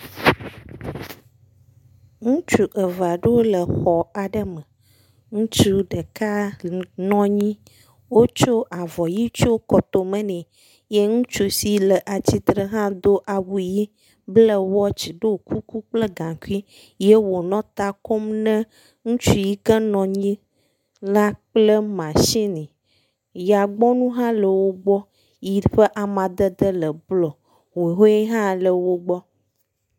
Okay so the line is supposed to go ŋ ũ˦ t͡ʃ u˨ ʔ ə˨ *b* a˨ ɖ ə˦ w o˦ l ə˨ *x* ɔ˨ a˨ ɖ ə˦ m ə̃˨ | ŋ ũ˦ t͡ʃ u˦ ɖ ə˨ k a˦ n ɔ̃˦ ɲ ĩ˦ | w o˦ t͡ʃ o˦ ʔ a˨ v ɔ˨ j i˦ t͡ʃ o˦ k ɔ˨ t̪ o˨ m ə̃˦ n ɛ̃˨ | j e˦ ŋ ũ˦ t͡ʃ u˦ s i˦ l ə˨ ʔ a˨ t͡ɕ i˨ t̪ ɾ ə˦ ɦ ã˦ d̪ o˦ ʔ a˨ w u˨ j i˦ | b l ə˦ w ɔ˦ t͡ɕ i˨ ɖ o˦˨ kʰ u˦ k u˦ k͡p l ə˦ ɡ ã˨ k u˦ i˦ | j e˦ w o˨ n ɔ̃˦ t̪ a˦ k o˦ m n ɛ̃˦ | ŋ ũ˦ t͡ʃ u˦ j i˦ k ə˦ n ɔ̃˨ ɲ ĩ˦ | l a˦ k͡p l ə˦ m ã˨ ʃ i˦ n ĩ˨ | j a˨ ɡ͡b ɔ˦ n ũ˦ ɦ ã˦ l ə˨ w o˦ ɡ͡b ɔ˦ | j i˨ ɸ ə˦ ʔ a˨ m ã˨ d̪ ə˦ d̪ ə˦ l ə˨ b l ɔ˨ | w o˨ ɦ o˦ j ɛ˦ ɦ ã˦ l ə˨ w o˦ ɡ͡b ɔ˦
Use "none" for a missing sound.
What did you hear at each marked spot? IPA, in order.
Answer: v, x

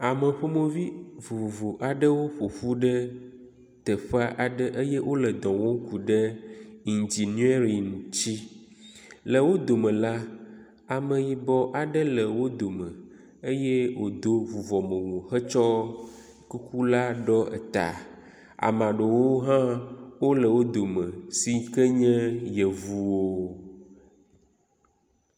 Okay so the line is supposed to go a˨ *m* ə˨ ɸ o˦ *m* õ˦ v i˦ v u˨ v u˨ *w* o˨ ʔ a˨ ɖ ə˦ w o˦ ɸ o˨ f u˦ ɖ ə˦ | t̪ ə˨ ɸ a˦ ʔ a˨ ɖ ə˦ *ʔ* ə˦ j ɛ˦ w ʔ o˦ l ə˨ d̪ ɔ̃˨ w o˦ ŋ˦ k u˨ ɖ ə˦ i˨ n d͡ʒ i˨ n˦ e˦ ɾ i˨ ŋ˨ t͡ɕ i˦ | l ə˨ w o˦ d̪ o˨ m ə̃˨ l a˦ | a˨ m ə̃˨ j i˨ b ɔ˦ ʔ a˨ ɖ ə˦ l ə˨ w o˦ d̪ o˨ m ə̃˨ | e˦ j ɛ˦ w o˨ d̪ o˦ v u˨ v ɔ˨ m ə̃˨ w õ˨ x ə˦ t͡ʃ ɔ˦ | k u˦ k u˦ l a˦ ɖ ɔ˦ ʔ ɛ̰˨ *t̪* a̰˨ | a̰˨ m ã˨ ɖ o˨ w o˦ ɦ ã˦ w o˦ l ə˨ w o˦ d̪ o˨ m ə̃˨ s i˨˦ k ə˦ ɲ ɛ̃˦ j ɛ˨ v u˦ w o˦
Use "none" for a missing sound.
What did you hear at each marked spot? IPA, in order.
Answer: m, m, v, ʔ, t̪

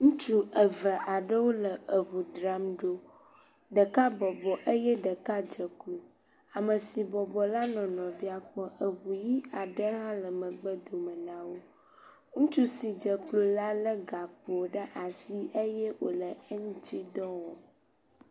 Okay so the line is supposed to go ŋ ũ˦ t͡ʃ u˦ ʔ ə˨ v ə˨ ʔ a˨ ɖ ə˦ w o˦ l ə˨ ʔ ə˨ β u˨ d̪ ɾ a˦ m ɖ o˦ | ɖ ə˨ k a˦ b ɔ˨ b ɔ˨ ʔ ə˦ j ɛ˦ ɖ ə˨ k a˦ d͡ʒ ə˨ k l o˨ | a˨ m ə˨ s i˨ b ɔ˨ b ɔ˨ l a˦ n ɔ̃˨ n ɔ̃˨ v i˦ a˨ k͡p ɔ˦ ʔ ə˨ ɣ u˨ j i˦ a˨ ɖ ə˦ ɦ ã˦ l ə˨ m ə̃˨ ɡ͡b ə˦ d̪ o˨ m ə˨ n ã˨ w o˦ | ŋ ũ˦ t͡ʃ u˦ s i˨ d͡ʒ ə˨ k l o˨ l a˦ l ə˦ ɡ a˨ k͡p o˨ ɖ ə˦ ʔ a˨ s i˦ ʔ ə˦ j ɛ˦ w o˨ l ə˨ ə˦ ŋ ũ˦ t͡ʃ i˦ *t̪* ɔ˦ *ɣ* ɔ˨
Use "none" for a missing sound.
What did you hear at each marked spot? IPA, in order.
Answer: d̪, w

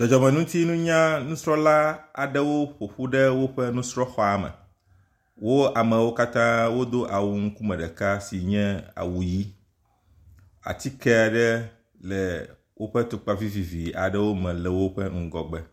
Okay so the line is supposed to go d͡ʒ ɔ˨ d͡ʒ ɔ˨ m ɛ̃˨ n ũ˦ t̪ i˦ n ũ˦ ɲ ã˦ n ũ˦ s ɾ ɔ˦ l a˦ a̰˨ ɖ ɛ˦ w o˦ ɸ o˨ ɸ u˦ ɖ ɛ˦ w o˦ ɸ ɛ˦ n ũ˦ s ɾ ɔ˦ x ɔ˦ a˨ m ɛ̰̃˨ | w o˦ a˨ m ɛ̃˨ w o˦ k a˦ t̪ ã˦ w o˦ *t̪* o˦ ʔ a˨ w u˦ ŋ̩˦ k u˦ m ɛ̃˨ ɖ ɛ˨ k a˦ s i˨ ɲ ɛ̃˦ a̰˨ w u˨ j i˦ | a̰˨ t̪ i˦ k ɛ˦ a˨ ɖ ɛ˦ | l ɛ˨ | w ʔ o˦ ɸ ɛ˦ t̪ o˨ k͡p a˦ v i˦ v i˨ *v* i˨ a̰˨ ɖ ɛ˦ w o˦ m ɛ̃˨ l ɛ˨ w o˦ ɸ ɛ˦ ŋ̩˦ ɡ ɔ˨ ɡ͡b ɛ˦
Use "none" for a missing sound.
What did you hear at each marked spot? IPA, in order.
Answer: d̪, v

